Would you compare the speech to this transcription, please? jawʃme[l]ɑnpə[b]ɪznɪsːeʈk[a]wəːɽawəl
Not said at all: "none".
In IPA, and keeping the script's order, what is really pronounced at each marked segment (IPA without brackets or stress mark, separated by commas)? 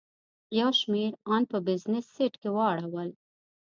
ɾ, b, e